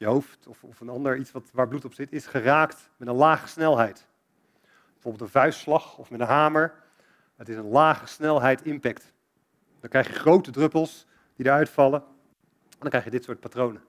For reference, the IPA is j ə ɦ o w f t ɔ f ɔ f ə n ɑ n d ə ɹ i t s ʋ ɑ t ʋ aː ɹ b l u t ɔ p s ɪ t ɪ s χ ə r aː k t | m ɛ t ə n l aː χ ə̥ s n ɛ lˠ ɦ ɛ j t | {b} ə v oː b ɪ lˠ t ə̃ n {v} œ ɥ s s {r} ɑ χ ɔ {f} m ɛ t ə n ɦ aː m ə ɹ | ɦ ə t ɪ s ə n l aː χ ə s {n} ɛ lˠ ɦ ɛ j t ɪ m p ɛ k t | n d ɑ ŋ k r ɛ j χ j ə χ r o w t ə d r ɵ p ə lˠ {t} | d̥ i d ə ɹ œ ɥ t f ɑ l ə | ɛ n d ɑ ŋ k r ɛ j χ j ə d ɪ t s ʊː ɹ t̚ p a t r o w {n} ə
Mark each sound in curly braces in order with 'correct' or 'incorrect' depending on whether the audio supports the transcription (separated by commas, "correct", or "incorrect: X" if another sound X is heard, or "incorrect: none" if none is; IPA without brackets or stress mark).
correct, correct, incorrect: l, correct, correct, incorrect: s, correct